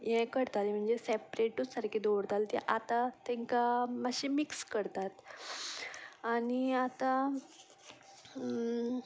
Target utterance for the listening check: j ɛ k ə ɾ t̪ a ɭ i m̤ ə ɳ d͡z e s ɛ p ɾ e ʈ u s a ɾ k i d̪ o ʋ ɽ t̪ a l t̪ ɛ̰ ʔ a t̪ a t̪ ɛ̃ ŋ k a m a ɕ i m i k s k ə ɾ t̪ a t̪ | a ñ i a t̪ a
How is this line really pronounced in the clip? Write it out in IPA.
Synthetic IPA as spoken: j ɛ k ə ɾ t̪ a l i m̤ ə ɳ d͡z e s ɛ p ɾ e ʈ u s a ɾ k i d̪ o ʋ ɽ t̪ a l t̪ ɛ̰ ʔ a t̪ a t̪ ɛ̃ ŋ k a m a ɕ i m i k s k ə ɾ t̪ a t̪ | a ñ i a t̪ a